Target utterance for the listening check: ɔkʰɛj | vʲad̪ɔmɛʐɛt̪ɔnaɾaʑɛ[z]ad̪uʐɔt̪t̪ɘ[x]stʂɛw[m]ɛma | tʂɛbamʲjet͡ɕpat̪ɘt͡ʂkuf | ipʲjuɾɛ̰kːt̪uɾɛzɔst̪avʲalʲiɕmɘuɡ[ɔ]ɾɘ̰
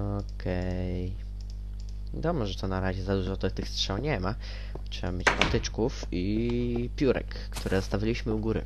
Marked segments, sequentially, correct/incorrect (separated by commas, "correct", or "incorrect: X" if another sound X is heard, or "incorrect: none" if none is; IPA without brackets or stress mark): correct, correct, incorrect: ɲ, incorrect: u